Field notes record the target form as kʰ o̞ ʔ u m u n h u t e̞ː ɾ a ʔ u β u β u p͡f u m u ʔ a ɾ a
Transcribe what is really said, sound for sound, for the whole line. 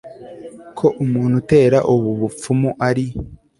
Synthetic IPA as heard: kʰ o̞ ʔ u m uː n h u t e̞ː ɾ a ʔ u β u β u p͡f u m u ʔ a ɾ i